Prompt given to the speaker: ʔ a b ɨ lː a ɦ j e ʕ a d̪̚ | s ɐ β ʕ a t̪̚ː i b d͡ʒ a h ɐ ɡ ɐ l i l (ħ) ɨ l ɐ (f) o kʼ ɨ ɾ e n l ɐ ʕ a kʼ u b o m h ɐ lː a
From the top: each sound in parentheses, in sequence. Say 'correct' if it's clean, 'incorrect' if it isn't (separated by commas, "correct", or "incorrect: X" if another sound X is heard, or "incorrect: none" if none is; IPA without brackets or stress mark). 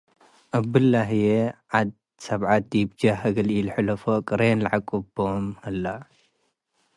correct, correct